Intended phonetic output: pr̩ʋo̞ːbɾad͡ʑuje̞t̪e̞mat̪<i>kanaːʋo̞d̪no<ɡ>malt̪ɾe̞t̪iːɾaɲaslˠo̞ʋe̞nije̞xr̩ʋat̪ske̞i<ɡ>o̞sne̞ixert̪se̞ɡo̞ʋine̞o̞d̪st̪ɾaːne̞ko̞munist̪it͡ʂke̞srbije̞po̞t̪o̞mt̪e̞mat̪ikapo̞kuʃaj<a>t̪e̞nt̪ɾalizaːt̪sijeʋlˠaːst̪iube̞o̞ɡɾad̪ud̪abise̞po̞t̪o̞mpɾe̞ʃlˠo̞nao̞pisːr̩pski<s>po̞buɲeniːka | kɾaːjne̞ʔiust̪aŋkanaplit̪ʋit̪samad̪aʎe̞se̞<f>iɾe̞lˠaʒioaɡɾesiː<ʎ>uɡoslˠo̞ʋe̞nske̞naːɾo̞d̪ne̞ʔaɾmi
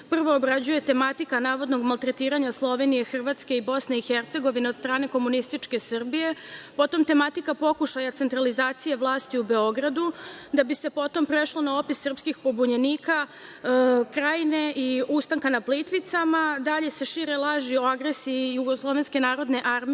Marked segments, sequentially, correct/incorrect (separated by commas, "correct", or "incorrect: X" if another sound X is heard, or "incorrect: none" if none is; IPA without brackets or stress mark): correct, correct, incorrect: b, correct, incorrect: x, incorrect: ʃ, incorrect: j